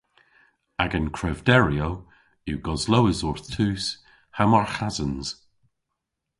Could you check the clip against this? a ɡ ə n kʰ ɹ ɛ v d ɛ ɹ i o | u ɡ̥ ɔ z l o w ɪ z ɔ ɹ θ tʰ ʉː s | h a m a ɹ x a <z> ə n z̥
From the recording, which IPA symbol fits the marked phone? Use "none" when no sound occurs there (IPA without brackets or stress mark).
z